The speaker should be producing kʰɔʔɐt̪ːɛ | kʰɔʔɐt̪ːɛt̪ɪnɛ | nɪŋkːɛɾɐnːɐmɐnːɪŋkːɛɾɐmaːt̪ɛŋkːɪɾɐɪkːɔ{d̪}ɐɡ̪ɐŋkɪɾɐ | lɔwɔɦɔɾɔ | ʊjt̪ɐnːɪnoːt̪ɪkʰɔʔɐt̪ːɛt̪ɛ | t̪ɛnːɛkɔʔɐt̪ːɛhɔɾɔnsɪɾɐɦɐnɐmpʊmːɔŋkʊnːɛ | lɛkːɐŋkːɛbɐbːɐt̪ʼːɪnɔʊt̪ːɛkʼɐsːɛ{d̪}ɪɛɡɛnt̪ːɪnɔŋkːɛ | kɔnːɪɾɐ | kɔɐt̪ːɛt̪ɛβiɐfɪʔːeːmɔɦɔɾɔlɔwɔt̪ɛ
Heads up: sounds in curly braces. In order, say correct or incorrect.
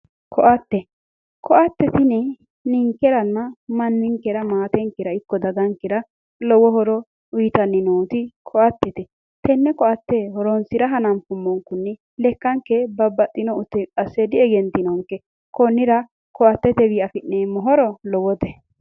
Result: correct, correct

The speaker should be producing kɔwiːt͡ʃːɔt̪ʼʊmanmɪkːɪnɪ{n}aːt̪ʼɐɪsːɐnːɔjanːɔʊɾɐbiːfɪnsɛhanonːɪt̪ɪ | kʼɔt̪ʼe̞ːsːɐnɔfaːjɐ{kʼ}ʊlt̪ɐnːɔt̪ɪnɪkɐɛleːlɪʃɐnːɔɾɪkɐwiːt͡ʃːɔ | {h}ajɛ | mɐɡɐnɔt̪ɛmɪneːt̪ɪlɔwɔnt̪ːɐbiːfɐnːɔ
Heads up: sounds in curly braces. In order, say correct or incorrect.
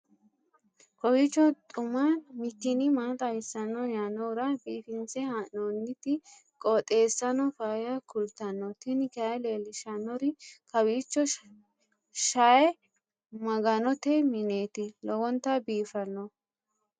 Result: incorrect: m, incorrect: k, incorrect: ʃ

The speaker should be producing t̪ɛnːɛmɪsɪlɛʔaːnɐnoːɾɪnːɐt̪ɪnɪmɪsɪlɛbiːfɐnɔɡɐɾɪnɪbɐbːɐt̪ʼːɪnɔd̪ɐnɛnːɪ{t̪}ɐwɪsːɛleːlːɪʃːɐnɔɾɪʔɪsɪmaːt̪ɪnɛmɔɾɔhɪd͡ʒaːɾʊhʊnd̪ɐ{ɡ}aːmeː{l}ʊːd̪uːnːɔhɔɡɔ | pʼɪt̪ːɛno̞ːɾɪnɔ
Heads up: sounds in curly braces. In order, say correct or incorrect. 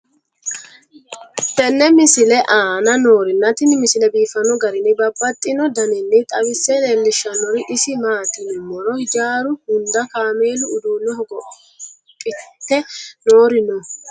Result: incorrect: t̪ʼ, incorrect: k, correct

